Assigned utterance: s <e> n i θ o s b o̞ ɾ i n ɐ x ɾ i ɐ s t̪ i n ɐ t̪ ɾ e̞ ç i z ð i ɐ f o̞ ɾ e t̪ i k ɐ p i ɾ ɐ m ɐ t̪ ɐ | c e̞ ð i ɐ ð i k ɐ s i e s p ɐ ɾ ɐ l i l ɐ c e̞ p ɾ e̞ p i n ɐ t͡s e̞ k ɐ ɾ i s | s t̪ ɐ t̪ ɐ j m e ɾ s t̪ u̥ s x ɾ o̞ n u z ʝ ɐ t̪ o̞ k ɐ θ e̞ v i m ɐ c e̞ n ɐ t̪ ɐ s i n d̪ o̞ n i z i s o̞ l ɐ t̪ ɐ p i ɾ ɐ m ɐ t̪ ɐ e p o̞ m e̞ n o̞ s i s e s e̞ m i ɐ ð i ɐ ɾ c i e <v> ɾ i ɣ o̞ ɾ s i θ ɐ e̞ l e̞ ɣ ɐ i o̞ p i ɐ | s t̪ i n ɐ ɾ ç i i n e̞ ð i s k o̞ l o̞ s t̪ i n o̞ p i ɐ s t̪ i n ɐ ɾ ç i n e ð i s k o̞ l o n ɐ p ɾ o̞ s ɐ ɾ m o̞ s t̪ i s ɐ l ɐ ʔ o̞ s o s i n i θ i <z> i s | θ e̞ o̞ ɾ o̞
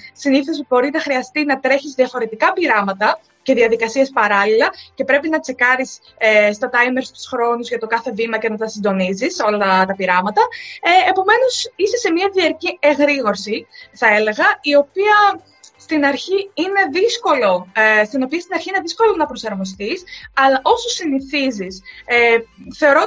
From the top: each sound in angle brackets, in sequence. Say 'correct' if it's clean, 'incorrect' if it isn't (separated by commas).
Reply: incorrect, incorrect, correct